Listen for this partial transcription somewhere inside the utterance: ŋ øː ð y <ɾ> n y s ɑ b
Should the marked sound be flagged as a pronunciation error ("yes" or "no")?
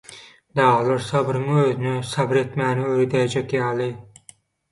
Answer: yes